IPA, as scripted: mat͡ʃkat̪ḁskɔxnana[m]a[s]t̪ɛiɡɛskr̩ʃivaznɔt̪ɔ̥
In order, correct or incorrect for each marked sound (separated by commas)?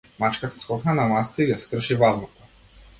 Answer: correct, correct